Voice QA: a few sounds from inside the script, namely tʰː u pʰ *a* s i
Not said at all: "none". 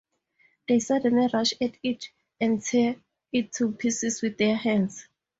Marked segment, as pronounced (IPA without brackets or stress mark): i